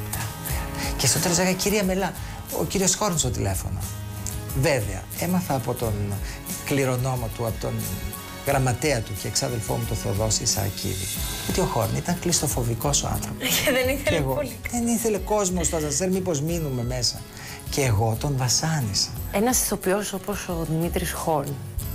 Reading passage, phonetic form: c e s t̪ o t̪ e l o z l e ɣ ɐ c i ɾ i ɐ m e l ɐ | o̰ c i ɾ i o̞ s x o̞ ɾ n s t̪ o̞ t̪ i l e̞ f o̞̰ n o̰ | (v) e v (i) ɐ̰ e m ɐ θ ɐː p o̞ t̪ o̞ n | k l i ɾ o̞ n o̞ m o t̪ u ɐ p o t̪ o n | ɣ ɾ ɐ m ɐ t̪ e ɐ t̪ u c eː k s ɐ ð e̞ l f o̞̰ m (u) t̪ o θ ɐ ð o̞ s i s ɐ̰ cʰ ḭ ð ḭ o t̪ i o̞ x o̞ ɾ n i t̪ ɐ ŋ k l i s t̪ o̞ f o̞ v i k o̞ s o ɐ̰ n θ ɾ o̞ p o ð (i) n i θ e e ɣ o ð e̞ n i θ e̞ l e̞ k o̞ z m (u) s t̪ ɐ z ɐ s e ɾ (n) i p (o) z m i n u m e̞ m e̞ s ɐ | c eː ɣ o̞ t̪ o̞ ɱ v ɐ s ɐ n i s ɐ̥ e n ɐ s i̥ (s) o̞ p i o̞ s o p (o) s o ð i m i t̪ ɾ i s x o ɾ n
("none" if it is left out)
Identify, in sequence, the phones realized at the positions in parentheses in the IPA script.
v, e, u, e, o, m, o, θ, o

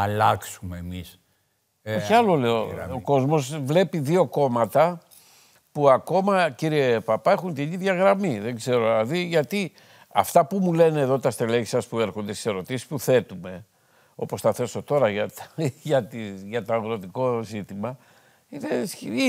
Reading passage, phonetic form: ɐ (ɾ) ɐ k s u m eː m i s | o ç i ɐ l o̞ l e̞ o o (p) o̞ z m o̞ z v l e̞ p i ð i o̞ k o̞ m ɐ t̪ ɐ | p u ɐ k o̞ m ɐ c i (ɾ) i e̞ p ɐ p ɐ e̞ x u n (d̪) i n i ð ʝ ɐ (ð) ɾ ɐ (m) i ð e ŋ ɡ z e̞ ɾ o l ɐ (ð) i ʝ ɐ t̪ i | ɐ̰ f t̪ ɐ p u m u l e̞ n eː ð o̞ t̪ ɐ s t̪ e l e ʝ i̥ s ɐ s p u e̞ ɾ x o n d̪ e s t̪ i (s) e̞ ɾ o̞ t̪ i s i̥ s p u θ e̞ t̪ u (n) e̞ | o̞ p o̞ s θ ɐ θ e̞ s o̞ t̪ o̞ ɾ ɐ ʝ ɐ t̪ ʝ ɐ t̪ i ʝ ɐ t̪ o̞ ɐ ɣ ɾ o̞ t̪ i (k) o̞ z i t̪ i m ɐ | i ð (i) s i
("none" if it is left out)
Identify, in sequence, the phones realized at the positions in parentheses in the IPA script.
l, k, ɾ, t̪, ɣ, m, ð, s, m, k, e

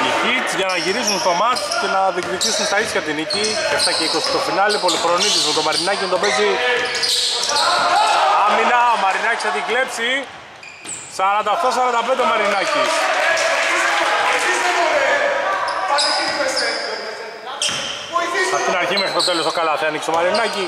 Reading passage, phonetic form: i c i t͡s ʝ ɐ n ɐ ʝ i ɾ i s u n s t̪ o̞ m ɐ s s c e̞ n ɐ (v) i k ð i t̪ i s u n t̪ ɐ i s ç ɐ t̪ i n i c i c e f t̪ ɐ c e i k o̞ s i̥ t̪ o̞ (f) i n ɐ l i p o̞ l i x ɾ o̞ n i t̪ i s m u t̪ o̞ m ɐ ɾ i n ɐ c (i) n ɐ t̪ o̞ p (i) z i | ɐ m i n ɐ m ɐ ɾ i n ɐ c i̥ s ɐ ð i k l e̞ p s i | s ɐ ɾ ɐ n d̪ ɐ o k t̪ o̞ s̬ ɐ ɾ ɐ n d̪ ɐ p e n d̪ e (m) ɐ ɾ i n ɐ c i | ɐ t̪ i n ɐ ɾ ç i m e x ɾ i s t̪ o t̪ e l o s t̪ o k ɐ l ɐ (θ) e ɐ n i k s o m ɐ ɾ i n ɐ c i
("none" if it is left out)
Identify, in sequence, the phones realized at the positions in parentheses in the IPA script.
ð, f, i, e, m, θ

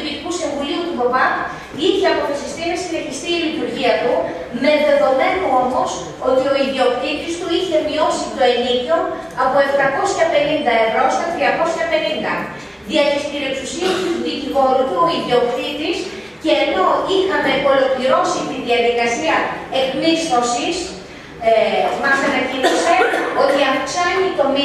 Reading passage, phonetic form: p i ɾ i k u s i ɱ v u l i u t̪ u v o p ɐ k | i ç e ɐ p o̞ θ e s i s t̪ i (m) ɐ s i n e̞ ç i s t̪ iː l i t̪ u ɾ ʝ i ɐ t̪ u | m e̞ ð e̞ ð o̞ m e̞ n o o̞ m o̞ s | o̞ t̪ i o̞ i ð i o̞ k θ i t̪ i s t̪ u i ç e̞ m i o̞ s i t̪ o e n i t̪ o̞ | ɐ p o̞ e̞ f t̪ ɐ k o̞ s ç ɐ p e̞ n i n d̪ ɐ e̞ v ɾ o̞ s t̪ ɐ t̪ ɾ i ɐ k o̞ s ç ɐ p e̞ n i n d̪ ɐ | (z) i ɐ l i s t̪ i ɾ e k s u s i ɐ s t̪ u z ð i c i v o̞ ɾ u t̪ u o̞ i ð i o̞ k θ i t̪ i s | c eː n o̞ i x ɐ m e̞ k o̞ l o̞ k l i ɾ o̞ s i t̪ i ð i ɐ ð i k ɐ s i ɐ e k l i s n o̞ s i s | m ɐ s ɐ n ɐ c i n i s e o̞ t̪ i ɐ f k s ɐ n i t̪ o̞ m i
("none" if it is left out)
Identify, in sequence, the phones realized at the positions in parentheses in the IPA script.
n, ð

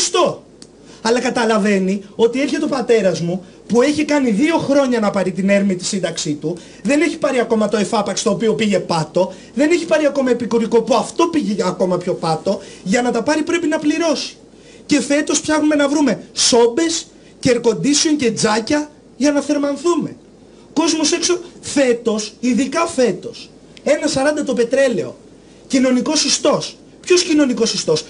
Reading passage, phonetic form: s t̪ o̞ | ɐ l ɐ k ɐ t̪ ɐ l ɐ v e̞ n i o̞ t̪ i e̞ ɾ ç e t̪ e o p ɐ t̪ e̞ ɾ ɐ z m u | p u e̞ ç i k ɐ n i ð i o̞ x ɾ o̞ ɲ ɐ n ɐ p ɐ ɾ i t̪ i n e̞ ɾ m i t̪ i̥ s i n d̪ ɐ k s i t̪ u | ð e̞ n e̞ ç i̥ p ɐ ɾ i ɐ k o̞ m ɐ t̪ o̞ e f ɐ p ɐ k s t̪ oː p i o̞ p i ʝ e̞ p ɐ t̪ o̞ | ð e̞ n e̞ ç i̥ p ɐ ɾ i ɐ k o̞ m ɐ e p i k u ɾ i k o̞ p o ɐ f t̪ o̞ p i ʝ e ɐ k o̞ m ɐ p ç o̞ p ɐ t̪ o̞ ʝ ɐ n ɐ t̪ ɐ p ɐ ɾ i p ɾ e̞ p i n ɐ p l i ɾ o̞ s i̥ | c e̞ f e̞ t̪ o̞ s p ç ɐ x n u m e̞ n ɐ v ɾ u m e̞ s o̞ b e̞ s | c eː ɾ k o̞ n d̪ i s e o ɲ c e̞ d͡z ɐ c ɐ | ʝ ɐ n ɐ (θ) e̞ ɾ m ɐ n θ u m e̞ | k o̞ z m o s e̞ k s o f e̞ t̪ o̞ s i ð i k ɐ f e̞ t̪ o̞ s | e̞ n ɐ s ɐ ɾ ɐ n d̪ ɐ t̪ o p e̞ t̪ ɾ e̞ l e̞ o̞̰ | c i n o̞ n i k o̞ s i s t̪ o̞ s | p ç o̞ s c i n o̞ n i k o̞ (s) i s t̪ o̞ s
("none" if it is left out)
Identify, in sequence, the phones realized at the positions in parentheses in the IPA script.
θ, s

